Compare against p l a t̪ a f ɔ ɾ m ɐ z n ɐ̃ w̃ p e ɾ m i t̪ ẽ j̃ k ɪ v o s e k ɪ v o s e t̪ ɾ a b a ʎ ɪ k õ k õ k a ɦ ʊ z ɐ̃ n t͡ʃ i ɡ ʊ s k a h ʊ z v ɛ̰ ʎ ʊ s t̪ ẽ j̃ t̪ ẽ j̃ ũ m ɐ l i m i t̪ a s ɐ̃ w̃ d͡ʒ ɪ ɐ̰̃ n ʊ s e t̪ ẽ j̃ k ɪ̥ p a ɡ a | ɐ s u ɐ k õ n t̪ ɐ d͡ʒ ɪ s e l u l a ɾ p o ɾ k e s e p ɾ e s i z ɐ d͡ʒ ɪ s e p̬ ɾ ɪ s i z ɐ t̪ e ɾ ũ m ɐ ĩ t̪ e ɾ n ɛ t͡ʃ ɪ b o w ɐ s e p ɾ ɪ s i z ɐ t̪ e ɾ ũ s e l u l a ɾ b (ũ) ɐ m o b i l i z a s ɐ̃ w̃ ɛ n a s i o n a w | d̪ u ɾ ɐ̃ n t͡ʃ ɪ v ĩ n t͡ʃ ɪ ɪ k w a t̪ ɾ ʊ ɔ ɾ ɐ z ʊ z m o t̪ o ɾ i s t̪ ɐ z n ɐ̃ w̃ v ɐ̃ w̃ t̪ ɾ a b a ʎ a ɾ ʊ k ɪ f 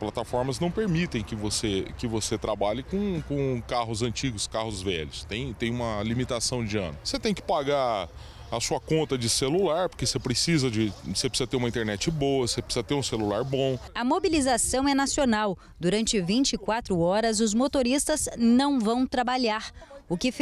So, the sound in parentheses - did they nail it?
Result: no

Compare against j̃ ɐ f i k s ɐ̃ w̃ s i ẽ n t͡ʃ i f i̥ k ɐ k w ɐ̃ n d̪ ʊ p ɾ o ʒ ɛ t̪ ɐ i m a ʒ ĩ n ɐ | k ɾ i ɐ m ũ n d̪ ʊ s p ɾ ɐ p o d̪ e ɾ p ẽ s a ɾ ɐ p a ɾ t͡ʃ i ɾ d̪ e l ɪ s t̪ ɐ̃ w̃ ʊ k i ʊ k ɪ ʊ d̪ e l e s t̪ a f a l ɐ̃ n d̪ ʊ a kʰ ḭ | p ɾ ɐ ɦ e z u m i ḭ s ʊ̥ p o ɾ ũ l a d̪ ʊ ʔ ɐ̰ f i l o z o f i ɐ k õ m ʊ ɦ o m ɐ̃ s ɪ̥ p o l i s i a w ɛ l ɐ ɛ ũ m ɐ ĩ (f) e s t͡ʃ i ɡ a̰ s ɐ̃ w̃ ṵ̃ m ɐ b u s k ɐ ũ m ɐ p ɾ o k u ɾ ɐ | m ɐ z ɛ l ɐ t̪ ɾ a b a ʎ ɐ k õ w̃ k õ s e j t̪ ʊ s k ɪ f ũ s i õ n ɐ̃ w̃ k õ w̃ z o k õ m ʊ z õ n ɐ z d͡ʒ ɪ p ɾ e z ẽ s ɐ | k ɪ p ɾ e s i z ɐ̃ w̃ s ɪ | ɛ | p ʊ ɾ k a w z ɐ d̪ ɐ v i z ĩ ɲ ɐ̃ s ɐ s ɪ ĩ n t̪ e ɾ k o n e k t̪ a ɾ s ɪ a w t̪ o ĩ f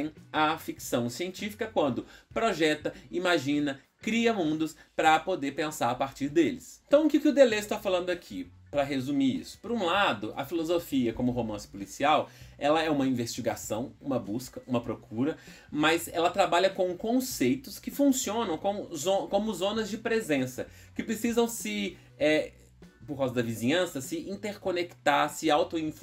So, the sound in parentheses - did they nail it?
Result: no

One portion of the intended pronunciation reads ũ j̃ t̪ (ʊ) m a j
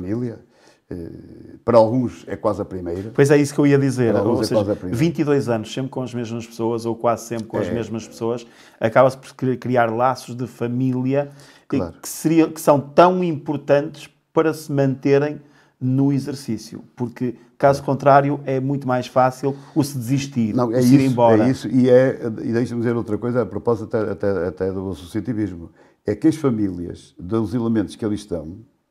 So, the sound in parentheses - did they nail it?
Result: no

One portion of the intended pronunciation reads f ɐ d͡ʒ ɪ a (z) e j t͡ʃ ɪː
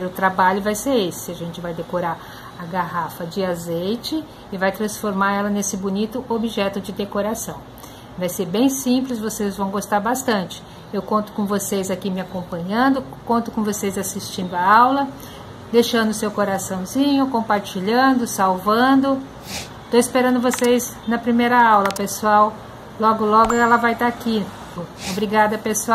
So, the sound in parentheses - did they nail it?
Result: yes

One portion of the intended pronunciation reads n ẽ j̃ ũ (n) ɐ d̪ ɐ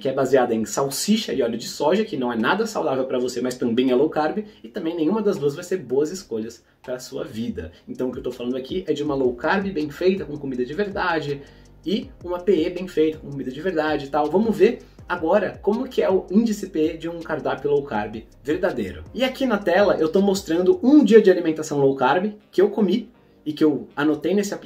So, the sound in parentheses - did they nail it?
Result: no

